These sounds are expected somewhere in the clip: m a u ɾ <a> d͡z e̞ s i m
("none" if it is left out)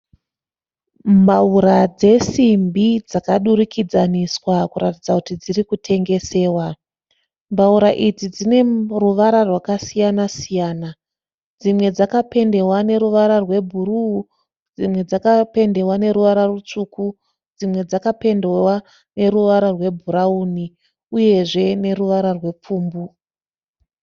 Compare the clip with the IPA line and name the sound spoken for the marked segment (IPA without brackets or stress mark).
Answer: a